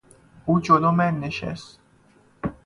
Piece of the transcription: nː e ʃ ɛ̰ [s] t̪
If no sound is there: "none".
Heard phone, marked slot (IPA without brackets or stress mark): s